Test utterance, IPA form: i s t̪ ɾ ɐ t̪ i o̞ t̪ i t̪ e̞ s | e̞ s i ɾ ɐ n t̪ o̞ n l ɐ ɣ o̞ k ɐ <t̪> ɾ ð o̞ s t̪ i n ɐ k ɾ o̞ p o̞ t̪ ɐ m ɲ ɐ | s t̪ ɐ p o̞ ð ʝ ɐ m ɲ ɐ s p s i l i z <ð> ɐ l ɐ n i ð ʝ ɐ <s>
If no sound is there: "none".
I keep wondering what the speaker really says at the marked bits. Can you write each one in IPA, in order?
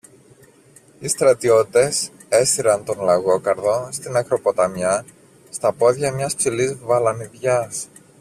none, v, s

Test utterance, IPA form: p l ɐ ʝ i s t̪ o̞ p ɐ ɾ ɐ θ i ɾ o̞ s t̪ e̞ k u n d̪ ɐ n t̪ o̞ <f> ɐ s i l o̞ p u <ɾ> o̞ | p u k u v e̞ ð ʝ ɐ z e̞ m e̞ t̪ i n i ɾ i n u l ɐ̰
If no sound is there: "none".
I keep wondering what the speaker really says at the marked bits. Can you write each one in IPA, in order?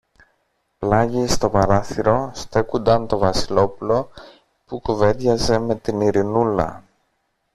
v, l

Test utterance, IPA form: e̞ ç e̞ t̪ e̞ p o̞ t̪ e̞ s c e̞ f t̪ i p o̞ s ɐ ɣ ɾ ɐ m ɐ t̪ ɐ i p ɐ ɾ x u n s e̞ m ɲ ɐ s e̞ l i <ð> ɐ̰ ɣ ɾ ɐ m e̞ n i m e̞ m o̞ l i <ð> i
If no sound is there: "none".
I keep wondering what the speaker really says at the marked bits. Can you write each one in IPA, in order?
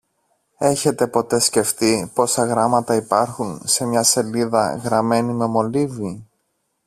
ð, v

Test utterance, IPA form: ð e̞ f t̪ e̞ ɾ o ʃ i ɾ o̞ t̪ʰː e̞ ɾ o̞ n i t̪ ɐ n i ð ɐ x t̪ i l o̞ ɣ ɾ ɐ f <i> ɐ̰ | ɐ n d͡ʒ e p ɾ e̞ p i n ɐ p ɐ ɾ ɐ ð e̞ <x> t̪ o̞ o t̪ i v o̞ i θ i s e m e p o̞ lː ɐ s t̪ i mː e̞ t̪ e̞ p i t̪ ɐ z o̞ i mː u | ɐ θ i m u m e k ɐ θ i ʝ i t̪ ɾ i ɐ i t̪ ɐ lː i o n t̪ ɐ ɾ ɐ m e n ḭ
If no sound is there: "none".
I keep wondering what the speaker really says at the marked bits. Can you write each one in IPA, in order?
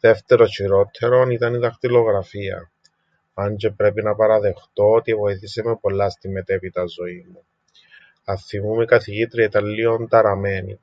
i, x

